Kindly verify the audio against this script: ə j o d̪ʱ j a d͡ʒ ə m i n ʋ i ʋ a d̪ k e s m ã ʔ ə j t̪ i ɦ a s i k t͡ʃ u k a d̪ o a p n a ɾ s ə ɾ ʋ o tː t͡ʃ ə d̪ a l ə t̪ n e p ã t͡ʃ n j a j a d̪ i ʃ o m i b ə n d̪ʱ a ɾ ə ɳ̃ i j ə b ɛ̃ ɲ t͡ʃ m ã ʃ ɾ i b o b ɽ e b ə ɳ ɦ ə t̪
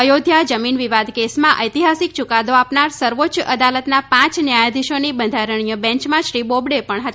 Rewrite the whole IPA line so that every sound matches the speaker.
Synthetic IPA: ə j o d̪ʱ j a d͡ʒ ə m i n ʋ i ʋ a d̪ k e s m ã ʔ ə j t̪ i ɦ a s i k t͡ʃ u k a d̪ o a p n a ɾ s ə ɾ ʋ o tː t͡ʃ ə d̪ a l ə t̪ n a p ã t͡ʃ n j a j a d̪ i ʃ o n i b ə n d̪ʱ a ɾ ə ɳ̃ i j ə b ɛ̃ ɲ t͡ʃ m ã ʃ ɾ i b o b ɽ e p ə ɳ ɦ ə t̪

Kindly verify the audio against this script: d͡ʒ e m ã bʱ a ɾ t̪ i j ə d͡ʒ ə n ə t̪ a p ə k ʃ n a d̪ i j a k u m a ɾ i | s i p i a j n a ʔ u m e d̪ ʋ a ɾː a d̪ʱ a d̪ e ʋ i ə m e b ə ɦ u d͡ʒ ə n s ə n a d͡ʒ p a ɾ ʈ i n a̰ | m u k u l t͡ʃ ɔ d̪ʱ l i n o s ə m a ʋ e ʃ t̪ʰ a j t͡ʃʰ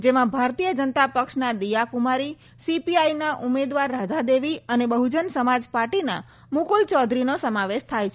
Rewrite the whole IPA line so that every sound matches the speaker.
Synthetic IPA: d͡ʒ e m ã bʱ a ɾ t̪ i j ə d͡ʒ ə n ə t̪ a p ə k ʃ n a d̪ i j a k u m a ɾ i | s i p i a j n a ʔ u m e d̪ ʋ a ɾː a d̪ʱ a d̪ e ʋ i ə n e b ə ɦ u d͡ʒ ə n s ə m a d͡ʒ p a ɾ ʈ i n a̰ | m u k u l t͡ʃ ɔ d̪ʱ ɾ i n o s ə m a ʋ e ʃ t̪ʰ a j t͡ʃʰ

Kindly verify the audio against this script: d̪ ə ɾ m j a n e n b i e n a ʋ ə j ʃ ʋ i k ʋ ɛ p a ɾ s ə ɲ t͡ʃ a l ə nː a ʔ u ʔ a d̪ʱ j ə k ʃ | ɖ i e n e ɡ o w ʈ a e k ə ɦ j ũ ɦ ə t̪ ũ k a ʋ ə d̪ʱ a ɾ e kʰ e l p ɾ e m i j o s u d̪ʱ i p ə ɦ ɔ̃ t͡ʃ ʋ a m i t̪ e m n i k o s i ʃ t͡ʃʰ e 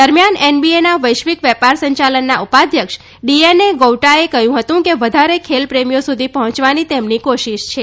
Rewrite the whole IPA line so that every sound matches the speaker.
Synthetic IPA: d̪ ə ɾ m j a n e n b i e n a ʋ ə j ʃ ʋ i k ʋ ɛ p a ɾ s ə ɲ t͡ʃ a l ə nː a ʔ u p a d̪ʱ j ə k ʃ | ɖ i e n e ɡ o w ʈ a e k ə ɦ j ũ ɦ ə t̪ ũ k e ʋ ə d̪ʱ a ɾ e kʰ e l p ɾ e m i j o s u d̪ʱ i p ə ɦ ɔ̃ t͡ʃ ʋ a n i t̪ e m n i k o ʃ i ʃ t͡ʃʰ e

